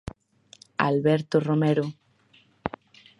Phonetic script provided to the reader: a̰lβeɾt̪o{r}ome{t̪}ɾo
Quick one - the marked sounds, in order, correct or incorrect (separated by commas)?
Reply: correct, incorrect